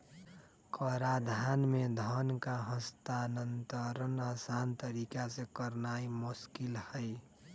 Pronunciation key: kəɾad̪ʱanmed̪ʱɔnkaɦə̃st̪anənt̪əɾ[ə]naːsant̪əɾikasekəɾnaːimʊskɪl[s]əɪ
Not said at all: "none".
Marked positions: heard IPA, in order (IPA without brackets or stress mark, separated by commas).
ə, h